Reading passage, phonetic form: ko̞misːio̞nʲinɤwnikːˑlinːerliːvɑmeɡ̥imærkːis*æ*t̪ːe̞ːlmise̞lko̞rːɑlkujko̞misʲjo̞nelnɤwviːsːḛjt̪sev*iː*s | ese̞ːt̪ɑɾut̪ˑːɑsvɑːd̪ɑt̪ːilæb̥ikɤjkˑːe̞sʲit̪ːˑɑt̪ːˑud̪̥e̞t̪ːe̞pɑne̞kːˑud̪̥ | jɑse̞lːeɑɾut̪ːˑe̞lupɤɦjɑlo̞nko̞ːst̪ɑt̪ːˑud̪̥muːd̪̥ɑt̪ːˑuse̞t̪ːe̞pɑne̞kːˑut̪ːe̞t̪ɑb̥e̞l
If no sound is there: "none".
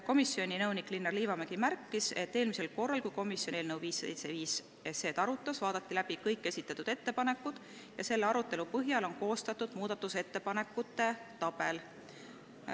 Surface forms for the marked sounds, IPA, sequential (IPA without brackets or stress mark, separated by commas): e, iː